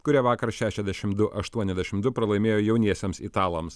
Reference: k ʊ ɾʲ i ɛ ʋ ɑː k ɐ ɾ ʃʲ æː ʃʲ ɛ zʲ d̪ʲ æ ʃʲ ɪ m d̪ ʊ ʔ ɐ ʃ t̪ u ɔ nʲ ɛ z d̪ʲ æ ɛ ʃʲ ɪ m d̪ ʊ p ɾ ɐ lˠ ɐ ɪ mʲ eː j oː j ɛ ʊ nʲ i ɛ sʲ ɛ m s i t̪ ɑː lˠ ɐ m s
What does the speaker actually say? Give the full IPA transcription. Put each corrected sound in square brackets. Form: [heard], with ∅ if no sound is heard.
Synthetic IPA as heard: k ʊ ɾʲ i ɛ ʋ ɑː k ɐ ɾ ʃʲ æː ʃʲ ɛ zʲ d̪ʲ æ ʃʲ ɪ m d̪ ʊ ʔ ɐ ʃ t̪ u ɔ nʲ ɛ z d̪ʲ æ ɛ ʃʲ ɪ m d̪ ʊ p ɾ ɐ lˠ ɐ ɪ mʲ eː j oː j ɛ ʊ nʲ i ɛ sʲ ɛ m s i t̪ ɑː lˠ ɐ m s